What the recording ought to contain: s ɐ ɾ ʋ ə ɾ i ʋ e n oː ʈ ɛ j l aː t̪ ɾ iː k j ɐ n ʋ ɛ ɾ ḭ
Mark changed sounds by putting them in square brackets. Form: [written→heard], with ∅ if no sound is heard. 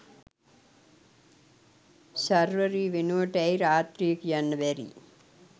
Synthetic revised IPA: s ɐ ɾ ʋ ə ɾ i ʋ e n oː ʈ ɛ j [l→ɾ] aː t̪ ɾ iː k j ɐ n ʋ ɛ ɾ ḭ